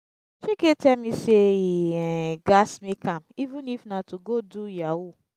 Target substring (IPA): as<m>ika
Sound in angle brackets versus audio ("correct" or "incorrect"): correct